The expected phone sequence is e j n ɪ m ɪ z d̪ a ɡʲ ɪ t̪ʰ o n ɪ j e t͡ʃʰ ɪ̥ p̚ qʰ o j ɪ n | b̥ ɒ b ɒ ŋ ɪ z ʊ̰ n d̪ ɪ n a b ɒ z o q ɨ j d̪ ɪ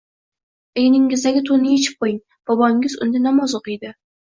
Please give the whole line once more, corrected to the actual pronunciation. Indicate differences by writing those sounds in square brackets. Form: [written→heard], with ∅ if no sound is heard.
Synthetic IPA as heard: e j n ɪ [m→ŋ] ɪ z d̪ a ɡʲ ɪ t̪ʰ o n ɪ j e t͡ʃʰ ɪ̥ p̚ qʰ o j ɪ [n→ŋ] | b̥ ɒ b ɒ ŋ ɪ z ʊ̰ n d̪ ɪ n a [b→m] ɒ z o q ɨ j d̪ ɪ